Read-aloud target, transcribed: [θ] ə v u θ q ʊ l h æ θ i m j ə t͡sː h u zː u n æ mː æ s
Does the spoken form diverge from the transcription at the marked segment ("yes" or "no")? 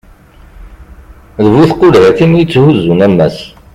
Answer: yes